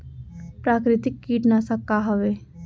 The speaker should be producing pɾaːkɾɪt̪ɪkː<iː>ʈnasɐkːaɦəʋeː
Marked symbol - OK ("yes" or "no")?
yes